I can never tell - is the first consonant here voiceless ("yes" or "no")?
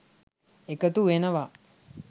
yes